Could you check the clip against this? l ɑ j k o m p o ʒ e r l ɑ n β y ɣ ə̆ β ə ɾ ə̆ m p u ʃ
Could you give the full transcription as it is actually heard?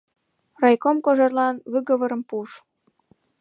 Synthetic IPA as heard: r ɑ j k o m k o ʒ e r l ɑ n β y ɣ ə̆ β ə ɾ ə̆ m p u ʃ